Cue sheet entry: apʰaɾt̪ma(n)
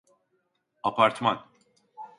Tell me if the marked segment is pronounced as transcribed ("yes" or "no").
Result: yes